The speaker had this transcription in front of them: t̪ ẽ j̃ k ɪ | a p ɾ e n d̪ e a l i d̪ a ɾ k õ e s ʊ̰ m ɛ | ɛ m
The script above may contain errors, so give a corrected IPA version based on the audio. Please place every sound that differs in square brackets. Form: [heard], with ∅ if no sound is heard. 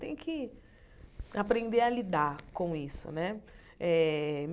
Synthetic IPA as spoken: t̪ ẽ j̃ k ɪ | a p ɾ [ẽ] n d̪ e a l i d̪ a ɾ k õ [i] s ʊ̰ [n] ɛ | ɛ m